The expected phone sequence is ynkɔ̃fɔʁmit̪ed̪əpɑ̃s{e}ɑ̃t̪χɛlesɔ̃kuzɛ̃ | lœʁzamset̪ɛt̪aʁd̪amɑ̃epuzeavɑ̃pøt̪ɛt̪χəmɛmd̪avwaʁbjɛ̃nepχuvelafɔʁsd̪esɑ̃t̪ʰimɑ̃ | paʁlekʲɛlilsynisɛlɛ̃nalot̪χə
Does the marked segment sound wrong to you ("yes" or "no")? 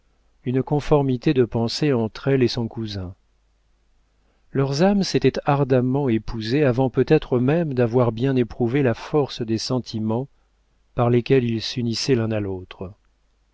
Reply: no